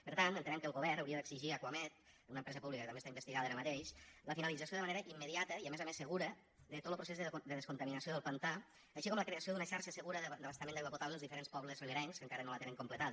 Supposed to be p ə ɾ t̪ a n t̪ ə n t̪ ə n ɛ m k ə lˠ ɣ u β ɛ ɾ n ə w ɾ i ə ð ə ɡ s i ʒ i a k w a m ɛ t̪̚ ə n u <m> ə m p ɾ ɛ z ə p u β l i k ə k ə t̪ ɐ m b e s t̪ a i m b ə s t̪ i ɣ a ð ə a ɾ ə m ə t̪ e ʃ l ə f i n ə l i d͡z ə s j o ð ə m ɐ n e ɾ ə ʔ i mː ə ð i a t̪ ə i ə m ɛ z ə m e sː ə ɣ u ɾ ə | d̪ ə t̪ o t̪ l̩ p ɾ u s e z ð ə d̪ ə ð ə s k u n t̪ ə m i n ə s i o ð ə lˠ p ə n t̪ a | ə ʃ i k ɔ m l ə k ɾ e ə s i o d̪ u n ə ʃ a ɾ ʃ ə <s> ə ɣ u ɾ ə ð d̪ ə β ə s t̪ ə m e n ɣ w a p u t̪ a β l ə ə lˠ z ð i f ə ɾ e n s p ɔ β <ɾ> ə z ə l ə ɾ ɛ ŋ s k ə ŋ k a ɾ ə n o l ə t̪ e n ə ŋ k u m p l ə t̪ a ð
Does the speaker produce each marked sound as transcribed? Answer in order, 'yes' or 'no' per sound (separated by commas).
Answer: no, yes, no